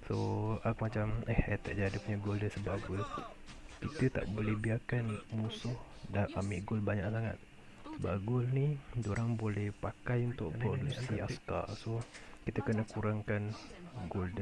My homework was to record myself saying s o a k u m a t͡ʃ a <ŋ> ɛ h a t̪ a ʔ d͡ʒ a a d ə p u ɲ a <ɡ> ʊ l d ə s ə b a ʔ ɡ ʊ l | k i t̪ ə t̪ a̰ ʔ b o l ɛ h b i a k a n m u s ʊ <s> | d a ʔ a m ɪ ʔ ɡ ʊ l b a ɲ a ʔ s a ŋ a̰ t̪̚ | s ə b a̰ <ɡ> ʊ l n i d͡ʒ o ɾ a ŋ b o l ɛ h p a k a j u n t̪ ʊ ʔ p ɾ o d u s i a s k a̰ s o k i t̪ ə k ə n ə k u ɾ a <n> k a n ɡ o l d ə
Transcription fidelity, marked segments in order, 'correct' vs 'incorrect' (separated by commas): incorrect, correct, incorrect, correct, incorrect